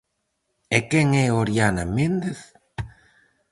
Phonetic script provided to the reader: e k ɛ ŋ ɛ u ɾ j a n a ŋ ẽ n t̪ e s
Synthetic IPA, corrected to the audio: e k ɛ ŋ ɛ o ɾ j a n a m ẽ n d̪ e θ